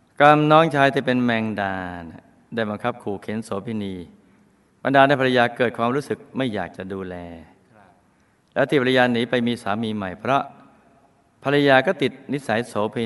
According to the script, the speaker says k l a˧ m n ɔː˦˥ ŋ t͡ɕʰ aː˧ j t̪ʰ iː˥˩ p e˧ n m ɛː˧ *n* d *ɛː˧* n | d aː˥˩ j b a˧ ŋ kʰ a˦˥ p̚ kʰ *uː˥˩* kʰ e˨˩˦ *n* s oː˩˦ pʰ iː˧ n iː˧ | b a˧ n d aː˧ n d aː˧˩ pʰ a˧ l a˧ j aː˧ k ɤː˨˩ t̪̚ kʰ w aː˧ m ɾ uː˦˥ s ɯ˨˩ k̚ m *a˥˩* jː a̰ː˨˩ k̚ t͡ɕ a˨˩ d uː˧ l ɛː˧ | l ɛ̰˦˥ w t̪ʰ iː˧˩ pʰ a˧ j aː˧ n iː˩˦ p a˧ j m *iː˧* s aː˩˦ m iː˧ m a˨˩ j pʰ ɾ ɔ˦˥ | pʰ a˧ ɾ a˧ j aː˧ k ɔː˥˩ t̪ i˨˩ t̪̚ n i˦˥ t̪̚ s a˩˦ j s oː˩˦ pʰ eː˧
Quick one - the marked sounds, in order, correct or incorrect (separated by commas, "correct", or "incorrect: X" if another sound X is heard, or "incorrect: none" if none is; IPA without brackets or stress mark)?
incorrect: ŋ, incorrect: aː˧, incorrect: uː˨˩, correct, correct, correct